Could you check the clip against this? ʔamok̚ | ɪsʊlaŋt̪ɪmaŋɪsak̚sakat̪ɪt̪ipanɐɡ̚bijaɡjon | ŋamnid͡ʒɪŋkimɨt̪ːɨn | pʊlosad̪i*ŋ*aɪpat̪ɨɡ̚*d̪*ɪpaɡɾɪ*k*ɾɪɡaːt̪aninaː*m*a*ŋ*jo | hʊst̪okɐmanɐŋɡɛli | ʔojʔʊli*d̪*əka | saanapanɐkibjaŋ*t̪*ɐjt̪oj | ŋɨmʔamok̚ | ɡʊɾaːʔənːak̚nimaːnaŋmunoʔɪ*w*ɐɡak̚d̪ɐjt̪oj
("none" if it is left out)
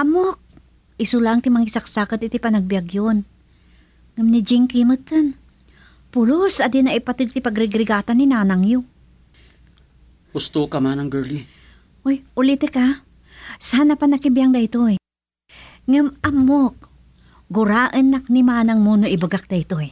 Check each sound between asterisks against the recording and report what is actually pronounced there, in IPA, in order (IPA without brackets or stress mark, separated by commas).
n, t̪, ɡ, n, ŋ, t̪, d̪, b